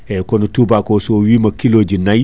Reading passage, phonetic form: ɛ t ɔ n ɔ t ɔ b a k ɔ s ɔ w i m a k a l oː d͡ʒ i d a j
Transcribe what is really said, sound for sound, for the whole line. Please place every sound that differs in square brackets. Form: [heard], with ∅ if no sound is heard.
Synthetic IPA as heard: ɛ [k] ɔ n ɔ t [u] b a k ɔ s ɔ w i m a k [i] l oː d͡ʒ i [n] a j